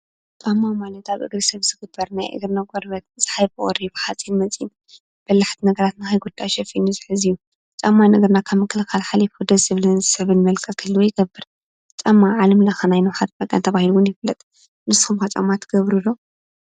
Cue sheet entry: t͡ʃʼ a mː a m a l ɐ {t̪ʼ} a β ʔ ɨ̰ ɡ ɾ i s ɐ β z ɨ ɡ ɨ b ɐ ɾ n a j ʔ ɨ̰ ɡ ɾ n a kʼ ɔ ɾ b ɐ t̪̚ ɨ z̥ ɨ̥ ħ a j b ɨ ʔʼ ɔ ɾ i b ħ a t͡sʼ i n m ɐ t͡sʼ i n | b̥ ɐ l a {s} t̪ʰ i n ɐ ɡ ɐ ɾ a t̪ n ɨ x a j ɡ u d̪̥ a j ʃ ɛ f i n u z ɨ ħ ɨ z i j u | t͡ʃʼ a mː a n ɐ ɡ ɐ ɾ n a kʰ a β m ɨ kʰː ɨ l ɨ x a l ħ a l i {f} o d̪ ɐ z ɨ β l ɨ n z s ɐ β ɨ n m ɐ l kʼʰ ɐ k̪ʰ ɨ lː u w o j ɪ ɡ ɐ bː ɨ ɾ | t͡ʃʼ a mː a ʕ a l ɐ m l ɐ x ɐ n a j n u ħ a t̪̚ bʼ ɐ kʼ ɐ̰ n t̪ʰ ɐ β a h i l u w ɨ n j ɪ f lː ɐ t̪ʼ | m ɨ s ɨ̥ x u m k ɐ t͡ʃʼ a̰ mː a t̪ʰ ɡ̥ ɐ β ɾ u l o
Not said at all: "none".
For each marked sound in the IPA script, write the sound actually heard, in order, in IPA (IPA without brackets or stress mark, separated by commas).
t̪, ħ, f